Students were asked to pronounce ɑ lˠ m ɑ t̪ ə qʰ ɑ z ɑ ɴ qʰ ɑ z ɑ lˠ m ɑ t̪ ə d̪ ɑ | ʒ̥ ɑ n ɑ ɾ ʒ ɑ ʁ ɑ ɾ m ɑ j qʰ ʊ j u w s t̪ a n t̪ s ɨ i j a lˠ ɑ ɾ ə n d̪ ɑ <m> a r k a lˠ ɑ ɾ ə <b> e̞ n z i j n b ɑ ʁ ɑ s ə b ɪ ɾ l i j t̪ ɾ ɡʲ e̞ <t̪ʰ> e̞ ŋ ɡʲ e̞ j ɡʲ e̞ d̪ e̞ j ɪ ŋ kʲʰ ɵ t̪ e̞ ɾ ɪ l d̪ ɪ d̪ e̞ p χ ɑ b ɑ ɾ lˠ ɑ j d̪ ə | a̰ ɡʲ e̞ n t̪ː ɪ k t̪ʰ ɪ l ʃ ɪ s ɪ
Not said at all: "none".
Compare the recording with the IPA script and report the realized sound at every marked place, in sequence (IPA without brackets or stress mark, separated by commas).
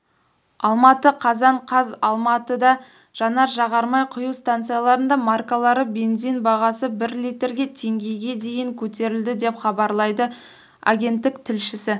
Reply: m, b, t̪ʰ